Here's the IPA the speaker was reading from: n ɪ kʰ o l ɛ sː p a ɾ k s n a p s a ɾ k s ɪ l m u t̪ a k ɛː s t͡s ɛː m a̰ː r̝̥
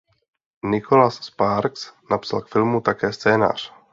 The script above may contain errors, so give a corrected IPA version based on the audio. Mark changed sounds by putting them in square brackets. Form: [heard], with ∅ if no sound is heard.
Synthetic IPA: n ɪ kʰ o l [a] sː p a ɾ k s n a p s a [l] k [f] ɪ l m u t̪ a k ɛː s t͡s ɛː [n] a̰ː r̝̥